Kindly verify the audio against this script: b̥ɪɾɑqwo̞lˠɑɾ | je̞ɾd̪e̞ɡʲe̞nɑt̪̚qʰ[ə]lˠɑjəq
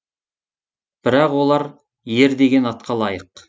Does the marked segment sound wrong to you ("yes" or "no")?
yes